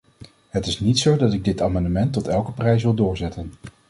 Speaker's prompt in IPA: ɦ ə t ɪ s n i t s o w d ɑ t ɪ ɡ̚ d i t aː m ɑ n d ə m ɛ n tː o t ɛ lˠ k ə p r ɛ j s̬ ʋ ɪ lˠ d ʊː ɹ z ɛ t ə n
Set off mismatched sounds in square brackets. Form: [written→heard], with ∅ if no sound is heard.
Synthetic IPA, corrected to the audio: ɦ ə t ɪ s n i t s o w d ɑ t ɪ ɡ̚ d [i→ɪ] t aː m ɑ n d ə m ɛ n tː [o→ɔ] t ɛ lˠ k ə p r ɛ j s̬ ʋ ɪ lˠ d ʊː ɹ z ɛ t ə n